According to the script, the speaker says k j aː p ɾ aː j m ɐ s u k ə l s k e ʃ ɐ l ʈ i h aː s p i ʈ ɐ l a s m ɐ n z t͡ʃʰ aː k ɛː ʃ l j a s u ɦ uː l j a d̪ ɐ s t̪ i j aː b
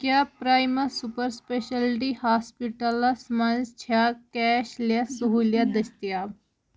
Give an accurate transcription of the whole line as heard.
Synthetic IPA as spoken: k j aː p ɾ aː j m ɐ s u p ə ɾ s p e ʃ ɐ l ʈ i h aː s p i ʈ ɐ l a s m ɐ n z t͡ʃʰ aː k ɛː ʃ l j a s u ɦ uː l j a d̪ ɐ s t̪ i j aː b